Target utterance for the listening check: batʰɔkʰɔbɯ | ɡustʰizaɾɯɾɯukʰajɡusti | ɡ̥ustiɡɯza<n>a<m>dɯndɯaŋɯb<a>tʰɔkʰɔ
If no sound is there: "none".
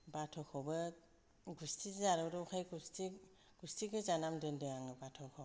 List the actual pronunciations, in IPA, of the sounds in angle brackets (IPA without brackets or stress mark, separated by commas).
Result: n, m, a